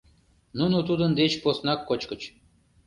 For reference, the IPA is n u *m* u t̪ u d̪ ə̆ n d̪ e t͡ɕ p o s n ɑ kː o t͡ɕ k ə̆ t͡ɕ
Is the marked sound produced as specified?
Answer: no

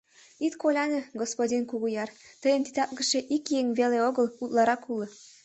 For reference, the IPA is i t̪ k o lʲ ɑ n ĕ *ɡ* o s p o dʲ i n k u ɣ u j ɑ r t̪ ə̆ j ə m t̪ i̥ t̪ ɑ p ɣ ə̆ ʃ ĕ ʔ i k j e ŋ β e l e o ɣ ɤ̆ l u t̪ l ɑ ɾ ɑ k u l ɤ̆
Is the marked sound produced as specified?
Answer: yes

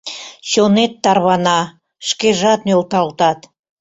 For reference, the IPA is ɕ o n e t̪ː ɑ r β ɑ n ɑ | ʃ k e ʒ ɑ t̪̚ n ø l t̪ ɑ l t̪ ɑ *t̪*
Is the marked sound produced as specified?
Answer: yes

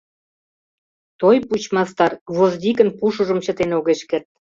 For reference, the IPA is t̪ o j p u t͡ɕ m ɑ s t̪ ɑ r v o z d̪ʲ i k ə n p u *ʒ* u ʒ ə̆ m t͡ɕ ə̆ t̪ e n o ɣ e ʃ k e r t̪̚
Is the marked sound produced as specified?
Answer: no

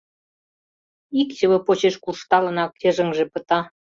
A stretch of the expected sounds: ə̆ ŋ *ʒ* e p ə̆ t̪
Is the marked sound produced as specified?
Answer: yes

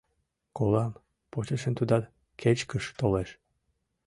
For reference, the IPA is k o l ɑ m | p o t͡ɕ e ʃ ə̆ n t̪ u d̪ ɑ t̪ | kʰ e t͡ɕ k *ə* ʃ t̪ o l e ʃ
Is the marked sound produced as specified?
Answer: yes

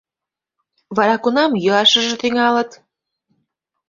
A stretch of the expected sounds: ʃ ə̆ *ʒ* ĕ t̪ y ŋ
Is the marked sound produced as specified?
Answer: yes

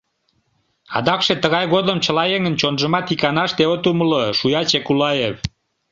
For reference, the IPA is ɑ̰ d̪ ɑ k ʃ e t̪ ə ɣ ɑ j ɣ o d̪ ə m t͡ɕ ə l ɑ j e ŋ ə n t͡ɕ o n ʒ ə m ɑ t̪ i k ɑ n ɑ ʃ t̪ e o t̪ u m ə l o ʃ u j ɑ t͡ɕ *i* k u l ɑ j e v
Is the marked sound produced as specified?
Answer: no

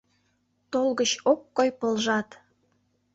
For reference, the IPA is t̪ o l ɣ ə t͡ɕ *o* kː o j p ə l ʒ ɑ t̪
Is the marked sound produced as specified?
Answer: yes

